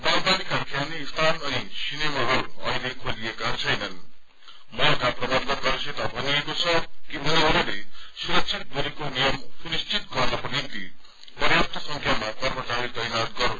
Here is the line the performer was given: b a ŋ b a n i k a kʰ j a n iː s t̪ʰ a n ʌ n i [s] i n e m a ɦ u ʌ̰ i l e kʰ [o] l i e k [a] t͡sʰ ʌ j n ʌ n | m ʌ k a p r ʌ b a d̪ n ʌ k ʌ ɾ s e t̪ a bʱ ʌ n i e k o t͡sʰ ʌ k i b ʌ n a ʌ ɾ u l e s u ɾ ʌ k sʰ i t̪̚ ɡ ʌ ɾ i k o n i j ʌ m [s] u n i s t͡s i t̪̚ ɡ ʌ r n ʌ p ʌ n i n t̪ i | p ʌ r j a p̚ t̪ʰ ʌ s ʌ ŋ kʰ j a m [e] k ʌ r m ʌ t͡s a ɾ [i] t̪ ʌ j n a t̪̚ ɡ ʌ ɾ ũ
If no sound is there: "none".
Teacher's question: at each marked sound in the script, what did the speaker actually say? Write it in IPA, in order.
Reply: s, o, a, s, a, i

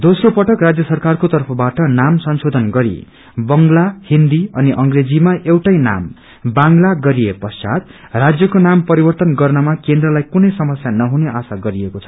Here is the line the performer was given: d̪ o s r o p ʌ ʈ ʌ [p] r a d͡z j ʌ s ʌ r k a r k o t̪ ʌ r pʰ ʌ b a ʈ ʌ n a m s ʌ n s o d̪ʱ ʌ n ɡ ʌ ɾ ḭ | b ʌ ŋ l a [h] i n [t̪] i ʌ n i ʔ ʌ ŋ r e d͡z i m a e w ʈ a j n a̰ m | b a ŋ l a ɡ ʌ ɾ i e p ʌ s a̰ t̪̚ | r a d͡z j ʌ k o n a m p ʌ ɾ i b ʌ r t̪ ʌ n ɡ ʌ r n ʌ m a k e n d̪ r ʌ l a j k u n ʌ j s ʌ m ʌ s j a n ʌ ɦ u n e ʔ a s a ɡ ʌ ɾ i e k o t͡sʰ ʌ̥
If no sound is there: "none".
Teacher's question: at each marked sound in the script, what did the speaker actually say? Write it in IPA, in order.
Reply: k, h, d̪

